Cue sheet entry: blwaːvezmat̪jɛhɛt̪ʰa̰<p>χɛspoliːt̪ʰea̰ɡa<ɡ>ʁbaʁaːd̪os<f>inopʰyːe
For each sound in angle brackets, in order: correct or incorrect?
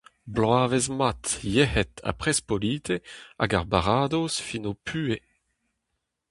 correct, incorrect: none, correct

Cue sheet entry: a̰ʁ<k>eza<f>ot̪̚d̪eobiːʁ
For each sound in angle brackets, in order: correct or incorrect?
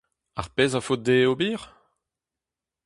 incorrect: p, correct

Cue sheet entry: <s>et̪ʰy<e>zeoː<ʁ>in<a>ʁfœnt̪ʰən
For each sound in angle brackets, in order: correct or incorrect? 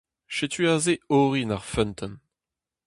incorrect: ʃ, incorrect: a, correct, correct

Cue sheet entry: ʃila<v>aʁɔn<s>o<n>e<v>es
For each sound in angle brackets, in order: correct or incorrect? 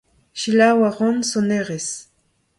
incorrect: w, correct, correct, incorrect: ʁ

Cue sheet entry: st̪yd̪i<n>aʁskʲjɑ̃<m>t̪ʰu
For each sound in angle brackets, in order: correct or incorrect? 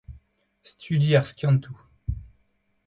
incorrect: none, incorrect: n

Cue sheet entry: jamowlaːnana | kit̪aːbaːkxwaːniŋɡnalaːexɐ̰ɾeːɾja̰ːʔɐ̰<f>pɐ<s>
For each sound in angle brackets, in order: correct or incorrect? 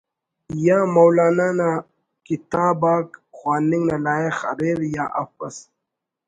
correct, correct

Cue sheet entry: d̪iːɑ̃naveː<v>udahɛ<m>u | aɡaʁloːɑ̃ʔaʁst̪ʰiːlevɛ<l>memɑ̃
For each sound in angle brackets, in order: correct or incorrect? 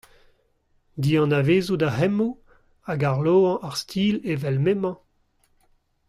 incorrect: z, correct, correct

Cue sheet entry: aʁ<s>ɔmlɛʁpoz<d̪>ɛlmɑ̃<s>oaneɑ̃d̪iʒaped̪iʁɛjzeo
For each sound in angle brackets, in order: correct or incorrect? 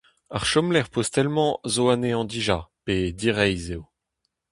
incorrect: ʃ, incorrect: t̪, incorrect: z

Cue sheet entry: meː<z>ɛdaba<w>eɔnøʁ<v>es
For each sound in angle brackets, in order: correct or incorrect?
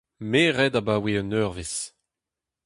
incorrect: ʁ, correct, correct

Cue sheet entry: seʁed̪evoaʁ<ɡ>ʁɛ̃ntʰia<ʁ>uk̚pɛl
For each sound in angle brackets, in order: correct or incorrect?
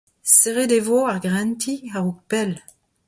correct, correct

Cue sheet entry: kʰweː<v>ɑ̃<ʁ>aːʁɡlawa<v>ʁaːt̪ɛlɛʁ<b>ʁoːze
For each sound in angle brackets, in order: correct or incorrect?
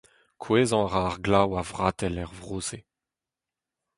incorrect: z, correct, correct, incorrect: v

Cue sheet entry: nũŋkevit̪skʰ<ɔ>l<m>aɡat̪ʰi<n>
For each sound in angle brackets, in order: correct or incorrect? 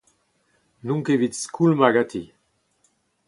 incorrect: u, correct, incorrect: none

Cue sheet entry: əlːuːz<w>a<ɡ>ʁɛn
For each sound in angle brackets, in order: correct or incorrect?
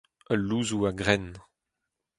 incorrect: u, correct

